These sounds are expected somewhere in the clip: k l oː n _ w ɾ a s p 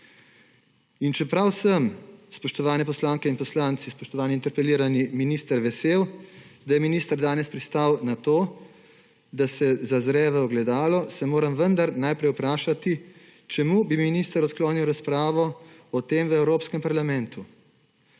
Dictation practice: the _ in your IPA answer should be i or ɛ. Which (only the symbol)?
i